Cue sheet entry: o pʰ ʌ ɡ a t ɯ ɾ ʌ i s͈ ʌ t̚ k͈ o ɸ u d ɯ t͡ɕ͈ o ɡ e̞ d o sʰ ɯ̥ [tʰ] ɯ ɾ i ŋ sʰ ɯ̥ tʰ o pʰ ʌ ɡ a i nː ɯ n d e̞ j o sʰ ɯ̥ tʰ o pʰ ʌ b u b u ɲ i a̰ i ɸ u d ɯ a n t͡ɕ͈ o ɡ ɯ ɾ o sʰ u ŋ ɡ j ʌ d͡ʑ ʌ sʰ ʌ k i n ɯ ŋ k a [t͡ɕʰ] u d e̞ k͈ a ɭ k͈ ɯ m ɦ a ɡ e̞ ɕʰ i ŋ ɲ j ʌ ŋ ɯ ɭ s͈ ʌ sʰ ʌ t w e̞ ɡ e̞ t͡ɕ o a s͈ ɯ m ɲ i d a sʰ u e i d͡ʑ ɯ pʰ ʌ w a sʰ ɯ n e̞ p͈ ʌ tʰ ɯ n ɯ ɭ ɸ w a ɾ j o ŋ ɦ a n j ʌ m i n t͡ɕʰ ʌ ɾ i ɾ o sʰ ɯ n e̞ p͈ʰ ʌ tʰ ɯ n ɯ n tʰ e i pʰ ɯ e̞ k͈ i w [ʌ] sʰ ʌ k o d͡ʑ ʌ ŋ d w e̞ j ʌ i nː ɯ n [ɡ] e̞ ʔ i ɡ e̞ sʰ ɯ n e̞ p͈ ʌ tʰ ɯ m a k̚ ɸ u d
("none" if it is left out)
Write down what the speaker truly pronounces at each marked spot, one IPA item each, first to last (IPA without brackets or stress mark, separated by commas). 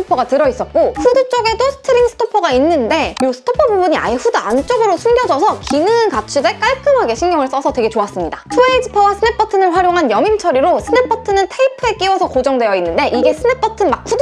tʰ, t͡ɕʰ, ʌ, d